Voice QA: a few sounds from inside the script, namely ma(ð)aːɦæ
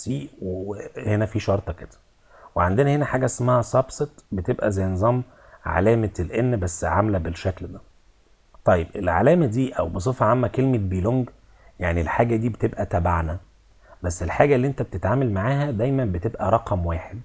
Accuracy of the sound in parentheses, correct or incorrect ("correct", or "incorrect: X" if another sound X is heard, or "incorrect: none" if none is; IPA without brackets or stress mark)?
incorrect: ʕ